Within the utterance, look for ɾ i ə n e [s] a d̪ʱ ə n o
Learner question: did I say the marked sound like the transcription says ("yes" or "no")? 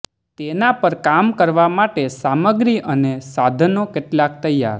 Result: yes